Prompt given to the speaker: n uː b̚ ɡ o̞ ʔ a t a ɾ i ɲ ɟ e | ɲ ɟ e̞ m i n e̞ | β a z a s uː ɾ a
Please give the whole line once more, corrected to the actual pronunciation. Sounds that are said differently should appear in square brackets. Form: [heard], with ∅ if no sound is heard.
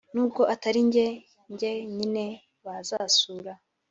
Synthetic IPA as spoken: n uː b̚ ɡ o̞ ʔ a t a ɾ i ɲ ɟ e | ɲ ɟ e̞ [ɲ] i n e̞ | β a z a s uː ɾ a